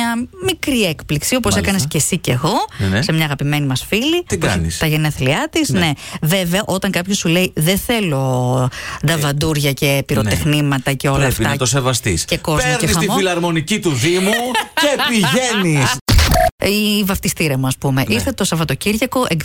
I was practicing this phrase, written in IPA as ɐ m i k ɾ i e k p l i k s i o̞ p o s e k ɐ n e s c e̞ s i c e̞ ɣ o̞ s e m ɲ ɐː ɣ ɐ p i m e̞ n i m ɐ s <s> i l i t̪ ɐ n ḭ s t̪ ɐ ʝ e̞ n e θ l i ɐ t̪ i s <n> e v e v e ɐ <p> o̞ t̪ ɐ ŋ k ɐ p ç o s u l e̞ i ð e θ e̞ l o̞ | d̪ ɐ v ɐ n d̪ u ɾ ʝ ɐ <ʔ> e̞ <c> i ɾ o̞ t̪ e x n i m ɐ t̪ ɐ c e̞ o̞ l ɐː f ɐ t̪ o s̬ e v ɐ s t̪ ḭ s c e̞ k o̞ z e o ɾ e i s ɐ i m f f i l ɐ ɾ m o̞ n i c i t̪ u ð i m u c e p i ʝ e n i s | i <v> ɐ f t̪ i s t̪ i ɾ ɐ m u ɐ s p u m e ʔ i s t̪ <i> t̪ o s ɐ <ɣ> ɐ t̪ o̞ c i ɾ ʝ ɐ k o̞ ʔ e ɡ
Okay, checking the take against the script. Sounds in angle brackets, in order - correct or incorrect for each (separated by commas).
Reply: incorrect, correct, incorrect, incorrect, incorrect, correct, incorrect, incorrect